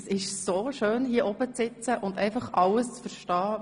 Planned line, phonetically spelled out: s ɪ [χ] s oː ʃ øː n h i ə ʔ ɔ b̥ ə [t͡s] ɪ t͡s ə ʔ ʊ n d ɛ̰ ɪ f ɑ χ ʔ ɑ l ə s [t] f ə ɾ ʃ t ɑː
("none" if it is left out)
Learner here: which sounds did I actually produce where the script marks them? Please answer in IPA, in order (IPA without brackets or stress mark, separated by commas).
ʃ, t͡s, t͡s